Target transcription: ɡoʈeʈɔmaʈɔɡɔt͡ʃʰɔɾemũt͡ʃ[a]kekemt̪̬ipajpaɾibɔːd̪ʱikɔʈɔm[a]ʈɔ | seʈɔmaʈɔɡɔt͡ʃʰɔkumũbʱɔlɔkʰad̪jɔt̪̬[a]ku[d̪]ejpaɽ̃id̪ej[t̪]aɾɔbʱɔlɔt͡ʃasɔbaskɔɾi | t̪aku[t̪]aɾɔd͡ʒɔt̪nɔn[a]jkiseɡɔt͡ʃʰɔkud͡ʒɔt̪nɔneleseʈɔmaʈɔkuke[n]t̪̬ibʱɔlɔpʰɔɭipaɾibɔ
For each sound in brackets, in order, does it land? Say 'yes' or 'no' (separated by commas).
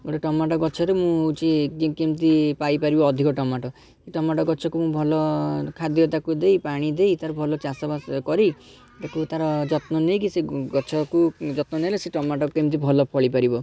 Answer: no, yes, yes, yes, yes, yes, no, no